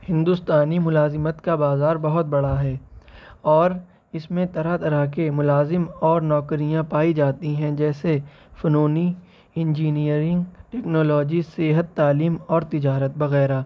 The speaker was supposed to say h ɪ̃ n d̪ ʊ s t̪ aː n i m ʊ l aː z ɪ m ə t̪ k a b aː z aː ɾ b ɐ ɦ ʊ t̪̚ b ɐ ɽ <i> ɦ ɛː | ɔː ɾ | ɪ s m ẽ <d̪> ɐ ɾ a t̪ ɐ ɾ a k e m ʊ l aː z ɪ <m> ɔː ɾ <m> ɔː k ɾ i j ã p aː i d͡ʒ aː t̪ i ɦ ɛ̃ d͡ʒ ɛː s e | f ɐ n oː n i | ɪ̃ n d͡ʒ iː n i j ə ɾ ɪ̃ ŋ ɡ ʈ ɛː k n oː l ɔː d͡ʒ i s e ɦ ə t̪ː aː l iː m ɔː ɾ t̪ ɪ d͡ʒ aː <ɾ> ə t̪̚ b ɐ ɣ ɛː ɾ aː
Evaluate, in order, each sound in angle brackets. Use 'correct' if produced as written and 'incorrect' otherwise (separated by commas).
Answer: incorrect, incorrect, correct, incorrect, correct